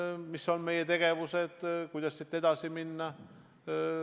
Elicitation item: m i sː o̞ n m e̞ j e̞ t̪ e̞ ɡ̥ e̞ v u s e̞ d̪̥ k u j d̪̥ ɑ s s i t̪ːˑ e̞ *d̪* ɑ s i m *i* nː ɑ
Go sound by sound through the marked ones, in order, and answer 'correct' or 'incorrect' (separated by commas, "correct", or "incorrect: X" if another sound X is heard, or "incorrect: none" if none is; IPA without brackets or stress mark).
correct, correct